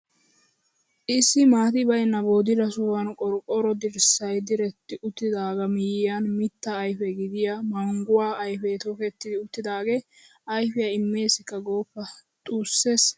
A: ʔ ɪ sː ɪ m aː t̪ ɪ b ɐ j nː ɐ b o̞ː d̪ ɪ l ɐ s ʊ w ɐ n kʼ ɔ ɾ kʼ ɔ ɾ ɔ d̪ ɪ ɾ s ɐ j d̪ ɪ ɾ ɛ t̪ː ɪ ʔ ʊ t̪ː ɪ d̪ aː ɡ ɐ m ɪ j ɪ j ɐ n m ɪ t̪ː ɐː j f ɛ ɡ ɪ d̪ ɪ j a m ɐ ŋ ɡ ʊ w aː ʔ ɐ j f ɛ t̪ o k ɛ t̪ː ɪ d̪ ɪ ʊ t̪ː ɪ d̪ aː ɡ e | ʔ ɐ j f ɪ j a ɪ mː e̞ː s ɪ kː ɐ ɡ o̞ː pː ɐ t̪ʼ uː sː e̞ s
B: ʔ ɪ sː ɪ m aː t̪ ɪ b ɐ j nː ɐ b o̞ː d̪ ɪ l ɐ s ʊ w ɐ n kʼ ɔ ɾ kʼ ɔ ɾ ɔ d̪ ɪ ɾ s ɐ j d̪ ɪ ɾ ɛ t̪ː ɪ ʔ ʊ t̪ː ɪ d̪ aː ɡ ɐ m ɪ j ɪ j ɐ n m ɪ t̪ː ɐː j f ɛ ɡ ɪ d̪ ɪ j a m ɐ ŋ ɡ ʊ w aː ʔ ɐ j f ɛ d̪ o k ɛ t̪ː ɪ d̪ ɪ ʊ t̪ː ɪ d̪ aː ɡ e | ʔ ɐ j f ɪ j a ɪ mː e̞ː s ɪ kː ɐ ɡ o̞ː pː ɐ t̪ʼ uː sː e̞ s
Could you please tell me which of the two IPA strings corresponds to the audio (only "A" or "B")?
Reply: A